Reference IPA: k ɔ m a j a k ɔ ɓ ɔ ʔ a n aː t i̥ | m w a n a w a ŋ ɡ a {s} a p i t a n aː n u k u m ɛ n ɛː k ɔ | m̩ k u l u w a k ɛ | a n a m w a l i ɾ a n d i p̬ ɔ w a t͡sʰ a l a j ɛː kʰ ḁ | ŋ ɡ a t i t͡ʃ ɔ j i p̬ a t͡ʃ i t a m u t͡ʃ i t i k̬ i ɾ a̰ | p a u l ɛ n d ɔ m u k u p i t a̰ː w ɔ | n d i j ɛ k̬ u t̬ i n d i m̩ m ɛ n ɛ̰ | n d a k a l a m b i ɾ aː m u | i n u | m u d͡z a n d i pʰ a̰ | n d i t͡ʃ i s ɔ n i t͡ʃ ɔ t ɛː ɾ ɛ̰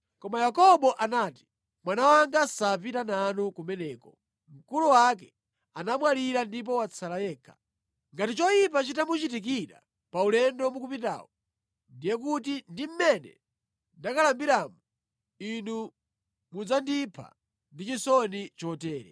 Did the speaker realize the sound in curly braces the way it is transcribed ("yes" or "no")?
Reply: yes